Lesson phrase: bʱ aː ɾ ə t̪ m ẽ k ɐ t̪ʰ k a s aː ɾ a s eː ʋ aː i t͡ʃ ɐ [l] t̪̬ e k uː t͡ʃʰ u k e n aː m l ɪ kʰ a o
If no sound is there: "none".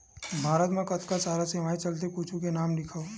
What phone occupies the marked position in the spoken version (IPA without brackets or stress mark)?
l